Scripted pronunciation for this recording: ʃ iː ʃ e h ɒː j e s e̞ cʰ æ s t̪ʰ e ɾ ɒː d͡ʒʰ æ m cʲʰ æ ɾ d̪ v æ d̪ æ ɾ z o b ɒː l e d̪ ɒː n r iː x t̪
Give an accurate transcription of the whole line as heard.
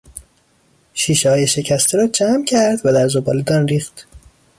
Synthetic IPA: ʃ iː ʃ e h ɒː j e ʃ e̞ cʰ æ s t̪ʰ e ɾ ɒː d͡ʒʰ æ m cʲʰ æ ɾ d̪ v æ d̪ æ ɾ z o b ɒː l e d̪ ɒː n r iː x t̪